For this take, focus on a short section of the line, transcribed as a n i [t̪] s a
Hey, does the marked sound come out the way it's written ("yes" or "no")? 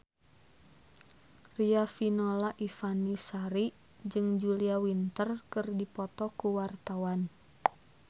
no